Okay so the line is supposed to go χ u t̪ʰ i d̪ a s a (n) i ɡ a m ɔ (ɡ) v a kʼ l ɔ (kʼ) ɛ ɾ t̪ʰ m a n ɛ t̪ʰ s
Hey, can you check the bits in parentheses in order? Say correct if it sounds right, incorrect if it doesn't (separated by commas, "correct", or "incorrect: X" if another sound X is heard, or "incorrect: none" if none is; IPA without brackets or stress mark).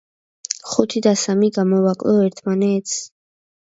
incorrect: m, incorrect: none, incorrect: none